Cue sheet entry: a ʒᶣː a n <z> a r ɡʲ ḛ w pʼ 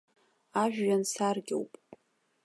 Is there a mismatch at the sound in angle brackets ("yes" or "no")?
yes